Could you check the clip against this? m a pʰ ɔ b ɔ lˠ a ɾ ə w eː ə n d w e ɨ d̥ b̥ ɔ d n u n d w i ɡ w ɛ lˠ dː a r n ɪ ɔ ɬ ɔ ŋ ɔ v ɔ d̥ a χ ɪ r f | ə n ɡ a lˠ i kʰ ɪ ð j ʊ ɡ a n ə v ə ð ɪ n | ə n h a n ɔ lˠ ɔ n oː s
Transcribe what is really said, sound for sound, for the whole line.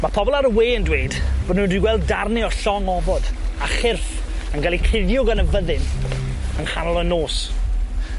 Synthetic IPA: m a pʰ ɔ b ɔ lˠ a ɾ ə w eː ə n d w e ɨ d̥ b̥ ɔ d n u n d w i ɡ w ɛ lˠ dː a r n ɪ ɔ ɬ ɔ ŋ ɔ v ɔ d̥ a χ ɪ r f | ə n ɡ a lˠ i kʰ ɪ ð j ʊ ɡ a n ə v ə ð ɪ n | ə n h a n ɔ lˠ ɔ n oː s